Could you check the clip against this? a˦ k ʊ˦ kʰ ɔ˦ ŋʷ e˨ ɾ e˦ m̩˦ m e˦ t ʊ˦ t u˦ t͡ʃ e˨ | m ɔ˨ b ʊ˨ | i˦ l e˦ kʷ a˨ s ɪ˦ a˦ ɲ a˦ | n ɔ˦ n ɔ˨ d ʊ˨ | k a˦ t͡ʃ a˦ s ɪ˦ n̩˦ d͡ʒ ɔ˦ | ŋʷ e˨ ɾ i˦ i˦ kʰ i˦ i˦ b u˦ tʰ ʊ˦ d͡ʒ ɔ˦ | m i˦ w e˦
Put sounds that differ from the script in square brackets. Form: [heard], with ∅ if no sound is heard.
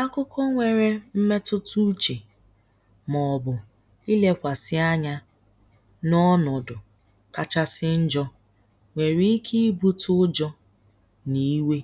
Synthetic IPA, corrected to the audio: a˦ k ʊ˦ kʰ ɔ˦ ŋʷ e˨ ɾ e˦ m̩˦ m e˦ t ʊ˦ t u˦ t͡ʃ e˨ | m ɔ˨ b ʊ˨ | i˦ l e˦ kʷ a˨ s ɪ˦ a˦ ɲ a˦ | n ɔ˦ n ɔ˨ d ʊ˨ | k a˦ t͡ʃ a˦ s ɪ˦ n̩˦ d͡ʒ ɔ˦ | ŋʷ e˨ ɾ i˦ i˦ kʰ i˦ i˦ b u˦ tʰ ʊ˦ d͡ʒ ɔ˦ | [n] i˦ w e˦